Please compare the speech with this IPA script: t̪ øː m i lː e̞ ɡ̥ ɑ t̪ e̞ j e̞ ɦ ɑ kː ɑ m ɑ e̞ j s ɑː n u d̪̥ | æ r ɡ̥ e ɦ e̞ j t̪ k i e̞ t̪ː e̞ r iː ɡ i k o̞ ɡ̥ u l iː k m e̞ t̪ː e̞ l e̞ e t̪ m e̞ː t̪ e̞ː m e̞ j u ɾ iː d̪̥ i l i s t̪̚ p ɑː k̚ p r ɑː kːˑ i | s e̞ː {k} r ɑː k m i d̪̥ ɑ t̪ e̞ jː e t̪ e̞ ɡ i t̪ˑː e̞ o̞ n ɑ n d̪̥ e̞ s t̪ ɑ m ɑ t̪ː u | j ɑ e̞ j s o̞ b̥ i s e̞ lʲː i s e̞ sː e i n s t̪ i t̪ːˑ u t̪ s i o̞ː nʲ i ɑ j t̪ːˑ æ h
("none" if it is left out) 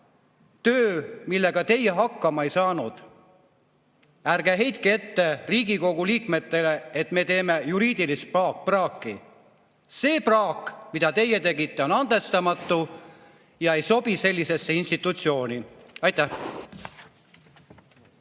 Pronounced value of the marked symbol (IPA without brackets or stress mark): p